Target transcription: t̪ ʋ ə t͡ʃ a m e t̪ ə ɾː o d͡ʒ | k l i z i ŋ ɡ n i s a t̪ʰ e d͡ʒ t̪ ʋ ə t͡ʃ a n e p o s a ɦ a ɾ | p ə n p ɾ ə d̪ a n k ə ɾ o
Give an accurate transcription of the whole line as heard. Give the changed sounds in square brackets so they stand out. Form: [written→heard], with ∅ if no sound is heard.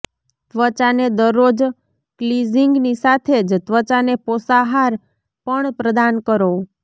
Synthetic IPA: t̪ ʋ ə t͡ʃ a [m→n] e [t̪→d̪] ə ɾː o d͡ʒ | k l i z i ŋ ɡ n i s a t̪ʰ e d͡ʒ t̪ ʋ ə t͡ʃ a n e p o s a ɦ a ɾ | p ə [n→ɳ] p ɾ ə d̪ a n k ə ɾ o